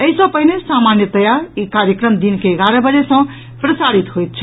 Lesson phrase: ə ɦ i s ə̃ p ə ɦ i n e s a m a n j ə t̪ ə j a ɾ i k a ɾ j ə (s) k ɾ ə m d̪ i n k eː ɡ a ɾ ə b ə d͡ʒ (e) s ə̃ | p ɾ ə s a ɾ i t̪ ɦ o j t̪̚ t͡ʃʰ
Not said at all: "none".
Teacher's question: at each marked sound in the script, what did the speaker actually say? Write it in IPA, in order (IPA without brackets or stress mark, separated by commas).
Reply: none, e